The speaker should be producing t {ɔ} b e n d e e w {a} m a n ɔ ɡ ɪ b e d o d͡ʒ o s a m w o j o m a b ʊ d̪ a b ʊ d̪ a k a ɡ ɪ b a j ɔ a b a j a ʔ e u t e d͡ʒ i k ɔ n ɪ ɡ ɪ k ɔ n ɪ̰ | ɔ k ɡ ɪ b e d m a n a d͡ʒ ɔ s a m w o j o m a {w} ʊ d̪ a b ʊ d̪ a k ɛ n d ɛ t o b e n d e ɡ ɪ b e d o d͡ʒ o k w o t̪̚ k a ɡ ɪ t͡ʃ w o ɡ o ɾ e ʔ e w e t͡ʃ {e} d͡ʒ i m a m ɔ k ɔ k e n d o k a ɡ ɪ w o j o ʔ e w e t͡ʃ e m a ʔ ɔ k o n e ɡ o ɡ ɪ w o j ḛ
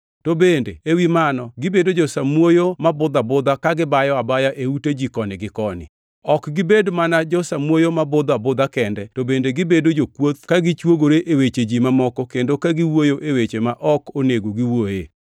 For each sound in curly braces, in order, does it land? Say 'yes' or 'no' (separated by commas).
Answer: no, no, no, yes